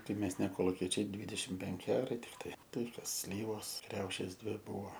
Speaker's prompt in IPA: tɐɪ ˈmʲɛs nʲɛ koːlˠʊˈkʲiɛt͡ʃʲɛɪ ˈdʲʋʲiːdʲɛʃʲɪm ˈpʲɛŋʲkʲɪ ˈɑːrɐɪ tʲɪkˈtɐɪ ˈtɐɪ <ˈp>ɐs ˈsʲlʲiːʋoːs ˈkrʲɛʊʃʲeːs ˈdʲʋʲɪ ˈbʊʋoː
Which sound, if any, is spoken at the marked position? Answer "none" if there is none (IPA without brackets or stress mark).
k